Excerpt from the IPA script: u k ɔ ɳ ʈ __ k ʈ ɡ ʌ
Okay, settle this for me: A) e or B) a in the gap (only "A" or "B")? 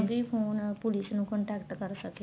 B